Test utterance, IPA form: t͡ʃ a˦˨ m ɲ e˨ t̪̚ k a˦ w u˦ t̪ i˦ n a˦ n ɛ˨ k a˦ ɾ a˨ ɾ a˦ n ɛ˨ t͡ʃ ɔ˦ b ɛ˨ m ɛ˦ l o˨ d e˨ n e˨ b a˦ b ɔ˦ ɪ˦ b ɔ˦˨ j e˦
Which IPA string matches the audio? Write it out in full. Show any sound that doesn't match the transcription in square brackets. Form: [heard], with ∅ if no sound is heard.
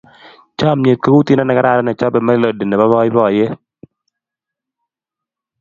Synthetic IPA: t͡ʃ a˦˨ m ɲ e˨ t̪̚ k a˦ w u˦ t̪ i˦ n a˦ n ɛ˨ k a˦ ɾ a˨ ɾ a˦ n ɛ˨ t͡ʃ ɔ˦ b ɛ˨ m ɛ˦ l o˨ d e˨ n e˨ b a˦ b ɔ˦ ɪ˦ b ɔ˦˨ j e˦